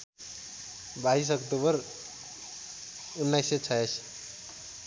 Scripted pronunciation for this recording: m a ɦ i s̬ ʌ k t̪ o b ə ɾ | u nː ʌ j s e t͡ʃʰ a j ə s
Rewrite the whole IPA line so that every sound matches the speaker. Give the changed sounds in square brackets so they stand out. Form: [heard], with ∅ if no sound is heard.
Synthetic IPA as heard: [b] a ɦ i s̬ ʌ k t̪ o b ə ɾ | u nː [a] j s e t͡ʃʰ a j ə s